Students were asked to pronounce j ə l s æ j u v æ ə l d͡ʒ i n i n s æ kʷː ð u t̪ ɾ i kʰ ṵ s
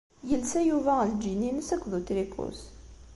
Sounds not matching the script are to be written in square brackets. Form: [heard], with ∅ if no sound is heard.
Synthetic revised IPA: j ə l s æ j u v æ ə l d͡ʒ i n i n s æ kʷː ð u t̪ ɾ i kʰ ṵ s